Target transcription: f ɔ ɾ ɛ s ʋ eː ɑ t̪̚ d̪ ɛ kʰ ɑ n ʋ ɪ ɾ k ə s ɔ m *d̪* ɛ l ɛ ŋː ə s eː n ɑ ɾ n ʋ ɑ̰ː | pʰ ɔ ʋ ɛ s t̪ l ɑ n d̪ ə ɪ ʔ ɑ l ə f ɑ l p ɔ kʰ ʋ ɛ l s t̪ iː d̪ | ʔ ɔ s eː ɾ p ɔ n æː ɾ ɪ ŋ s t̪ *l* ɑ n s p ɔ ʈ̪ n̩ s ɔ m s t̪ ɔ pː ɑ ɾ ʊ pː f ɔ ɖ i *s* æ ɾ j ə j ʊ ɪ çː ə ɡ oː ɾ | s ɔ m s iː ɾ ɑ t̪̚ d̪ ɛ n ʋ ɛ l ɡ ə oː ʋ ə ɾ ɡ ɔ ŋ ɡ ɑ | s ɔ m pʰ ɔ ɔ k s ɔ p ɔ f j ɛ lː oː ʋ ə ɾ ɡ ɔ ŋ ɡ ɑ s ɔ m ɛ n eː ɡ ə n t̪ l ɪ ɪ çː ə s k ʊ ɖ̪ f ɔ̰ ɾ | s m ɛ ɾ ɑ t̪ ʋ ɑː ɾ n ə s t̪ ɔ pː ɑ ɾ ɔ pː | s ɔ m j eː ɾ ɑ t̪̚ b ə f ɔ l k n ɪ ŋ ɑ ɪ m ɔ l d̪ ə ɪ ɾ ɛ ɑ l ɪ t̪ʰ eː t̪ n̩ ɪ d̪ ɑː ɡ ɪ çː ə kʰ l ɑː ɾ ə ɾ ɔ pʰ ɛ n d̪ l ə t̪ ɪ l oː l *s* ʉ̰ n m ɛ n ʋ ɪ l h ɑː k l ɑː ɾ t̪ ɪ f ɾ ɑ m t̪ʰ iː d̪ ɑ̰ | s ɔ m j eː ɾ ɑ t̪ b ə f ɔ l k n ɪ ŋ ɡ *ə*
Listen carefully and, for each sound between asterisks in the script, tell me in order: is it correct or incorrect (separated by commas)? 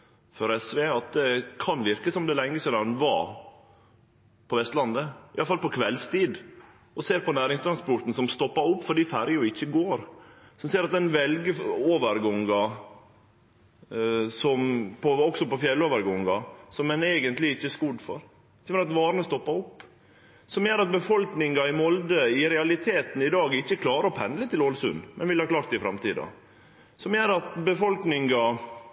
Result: correct, incorrect, incorrect, correct, incorrect